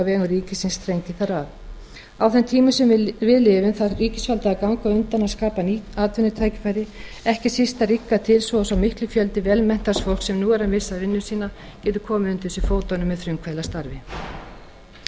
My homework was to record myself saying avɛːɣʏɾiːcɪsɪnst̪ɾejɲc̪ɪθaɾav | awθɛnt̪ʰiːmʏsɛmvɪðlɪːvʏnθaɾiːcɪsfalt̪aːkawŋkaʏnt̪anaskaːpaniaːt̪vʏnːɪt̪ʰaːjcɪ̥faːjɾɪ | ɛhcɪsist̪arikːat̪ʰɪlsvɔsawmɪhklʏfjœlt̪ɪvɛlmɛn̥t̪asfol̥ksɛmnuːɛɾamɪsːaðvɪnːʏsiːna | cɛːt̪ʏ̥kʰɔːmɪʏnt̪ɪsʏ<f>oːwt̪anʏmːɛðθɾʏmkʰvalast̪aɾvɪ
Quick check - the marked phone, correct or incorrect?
correct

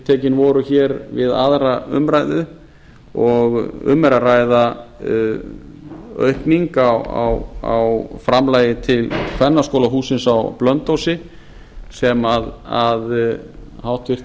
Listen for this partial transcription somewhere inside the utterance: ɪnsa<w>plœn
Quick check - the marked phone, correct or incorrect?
correct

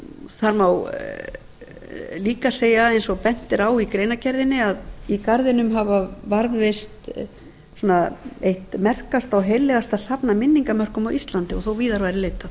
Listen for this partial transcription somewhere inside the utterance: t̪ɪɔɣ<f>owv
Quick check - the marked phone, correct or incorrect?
incorrect: θ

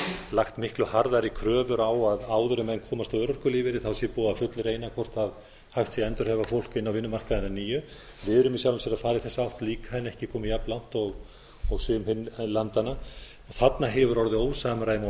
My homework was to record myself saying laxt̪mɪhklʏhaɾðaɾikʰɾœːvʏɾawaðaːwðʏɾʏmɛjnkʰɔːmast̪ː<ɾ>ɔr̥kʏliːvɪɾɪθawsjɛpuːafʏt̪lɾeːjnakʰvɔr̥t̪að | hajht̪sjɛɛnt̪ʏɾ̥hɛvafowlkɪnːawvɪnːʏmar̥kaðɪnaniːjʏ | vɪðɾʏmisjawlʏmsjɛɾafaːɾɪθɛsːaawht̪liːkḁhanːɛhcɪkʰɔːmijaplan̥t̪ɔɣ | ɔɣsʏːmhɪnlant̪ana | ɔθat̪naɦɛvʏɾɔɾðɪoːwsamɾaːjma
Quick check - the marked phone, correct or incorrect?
correct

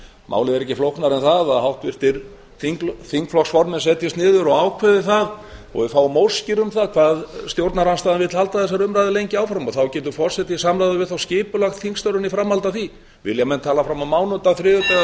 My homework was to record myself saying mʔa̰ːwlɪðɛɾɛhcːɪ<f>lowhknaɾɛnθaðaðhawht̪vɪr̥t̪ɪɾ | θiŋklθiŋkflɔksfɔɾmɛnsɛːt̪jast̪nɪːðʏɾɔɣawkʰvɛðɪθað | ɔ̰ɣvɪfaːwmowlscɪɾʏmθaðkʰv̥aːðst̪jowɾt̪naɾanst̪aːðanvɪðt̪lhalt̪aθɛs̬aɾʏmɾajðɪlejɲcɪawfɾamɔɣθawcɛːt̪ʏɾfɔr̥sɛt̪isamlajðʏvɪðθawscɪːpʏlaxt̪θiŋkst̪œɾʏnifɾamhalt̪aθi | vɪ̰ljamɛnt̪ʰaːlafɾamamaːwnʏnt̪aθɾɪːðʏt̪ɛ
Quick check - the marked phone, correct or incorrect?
correct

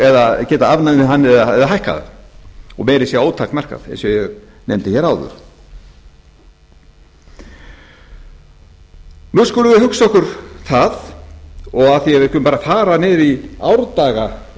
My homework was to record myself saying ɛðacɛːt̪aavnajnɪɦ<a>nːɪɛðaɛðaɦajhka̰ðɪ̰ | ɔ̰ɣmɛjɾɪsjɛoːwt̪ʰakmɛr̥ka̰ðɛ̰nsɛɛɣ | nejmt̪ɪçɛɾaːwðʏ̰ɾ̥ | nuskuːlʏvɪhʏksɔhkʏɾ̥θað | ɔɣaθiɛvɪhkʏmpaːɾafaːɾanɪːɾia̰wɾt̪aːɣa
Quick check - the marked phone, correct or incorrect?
correct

